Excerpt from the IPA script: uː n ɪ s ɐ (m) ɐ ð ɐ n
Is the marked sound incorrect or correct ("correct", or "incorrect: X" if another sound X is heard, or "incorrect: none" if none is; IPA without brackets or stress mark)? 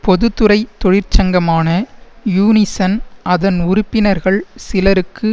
incorrect: n